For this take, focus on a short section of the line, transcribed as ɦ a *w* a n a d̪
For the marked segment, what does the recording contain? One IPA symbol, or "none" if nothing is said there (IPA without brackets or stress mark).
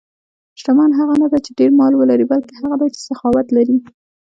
ɣ